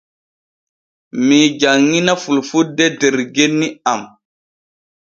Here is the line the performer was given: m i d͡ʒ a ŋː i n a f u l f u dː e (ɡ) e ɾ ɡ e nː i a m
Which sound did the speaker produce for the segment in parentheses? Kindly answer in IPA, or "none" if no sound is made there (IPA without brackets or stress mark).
d